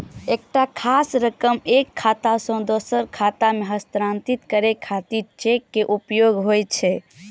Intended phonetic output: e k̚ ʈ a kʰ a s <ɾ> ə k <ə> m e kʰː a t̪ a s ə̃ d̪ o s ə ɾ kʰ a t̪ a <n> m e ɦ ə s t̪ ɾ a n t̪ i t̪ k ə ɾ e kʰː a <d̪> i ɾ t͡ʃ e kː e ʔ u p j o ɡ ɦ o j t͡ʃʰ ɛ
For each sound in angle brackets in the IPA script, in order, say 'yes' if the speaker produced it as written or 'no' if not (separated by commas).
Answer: yes, yes, no, no